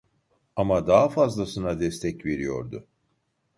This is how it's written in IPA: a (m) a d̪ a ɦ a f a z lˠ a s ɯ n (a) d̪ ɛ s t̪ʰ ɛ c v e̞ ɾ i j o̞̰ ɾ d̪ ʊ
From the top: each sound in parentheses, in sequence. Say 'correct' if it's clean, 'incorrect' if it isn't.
correct, correct

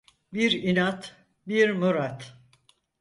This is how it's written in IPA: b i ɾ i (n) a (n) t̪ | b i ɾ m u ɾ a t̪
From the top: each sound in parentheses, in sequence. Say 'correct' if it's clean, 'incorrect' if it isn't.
correct, incorrect

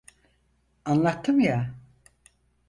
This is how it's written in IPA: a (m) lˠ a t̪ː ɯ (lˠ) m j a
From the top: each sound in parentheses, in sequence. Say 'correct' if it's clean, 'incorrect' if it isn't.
incorrect, incorrect

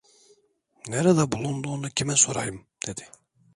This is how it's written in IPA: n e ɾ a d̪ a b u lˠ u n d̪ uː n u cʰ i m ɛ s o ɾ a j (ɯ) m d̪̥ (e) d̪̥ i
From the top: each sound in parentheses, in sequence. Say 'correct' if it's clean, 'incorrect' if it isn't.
correct, correct

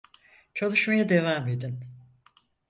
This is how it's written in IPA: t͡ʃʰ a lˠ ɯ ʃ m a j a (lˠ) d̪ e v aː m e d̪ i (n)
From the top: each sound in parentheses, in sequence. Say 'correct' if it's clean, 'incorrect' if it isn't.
incorrect, correct

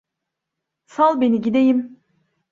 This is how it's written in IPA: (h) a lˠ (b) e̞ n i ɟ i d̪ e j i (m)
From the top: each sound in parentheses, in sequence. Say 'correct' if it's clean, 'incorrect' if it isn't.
incorrect, correct, correct

